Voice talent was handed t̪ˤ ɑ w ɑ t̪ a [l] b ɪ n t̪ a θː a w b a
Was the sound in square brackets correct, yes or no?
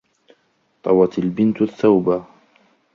yes